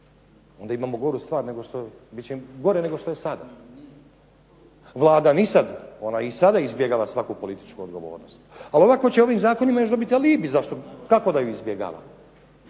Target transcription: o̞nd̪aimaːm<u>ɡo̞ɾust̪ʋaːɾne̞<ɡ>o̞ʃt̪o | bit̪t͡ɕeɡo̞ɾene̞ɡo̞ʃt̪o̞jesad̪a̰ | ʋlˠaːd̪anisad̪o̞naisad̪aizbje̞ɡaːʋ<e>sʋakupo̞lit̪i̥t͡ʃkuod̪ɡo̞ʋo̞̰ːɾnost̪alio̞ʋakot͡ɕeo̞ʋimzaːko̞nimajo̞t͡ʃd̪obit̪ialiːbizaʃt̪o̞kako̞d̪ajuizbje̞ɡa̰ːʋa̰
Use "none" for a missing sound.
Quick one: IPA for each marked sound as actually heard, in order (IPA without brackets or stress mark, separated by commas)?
o, ɡ, a